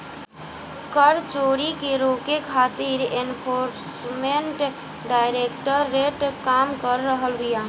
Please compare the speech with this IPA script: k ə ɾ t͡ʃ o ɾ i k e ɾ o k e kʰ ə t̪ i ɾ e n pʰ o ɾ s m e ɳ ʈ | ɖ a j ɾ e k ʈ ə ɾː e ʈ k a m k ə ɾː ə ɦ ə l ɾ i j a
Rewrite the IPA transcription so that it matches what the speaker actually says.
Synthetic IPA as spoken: k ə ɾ t͡ʃ o ɾ i k e ɾ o k e kʰ a t̪ i ɾ e n pʰ o ɾ s m e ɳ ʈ | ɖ a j ɾ e k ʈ ə ɾː e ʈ k a m k ə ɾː ə ɦ ə l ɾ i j a